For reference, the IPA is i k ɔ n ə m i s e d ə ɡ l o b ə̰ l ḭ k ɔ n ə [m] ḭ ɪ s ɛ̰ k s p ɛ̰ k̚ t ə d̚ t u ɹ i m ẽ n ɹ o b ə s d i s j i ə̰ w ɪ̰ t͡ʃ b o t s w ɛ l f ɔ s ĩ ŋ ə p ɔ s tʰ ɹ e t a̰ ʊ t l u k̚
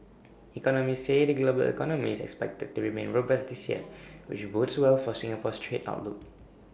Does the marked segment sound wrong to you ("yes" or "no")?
no